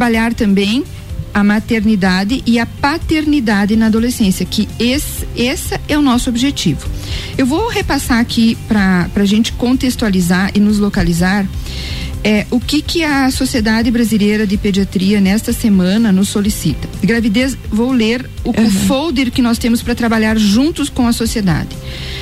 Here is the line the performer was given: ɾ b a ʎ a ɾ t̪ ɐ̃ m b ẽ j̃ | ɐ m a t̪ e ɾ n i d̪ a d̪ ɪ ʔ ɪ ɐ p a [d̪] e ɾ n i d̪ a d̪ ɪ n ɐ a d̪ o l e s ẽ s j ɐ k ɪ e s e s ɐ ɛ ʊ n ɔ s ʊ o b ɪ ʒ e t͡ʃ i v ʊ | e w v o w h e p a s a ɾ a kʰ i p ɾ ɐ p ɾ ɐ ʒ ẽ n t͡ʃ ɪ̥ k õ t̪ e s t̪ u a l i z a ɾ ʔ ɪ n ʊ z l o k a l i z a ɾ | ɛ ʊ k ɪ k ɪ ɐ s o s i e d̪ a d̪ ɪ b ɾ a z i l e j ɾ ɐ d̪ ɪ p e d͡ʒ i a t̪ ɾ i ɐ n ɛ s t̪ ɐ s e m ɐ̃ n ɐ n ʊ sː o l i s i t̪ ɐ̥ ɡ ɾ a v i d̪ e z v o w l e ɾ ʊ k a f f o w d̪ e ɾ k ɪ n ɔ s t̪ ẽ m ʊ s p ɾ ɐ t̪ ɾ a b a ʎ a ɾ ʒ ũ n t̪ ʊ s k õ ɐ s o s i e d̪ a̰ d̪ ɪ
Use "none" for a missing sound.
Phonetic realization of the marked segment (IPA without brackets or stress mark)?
t̪